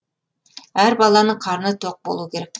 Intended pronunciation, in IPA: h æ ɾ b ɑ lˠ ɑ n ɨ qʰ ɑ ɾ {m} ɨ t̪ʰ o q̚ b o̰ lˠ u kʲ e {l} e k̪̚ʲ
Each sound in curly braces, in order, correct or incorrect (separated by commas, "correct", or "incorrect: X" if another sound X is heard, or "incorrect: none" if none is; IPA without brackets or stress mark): incorrect: n, incorrect: ɾ